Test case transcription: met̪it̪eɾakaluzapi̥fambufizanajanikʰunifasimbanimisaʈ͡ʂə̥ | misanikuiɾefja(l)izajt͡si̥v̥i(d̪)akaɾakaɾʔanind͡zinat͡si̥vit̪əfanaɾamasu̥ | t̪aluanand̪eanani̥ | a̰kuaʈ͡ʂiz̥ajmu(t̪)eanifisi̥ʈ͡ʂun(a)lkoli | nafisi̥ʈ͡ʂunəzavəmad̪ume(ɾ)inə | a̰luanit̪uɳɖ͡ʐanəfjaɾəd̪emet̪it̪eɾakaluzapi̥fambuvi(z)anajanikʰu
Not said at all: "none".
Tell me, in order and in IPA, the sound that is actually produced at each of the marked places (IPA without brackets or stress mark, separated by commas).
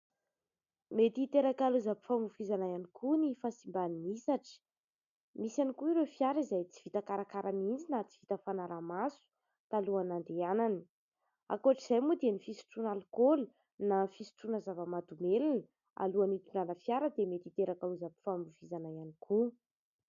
ɾ, t̪, d̪, a, l, z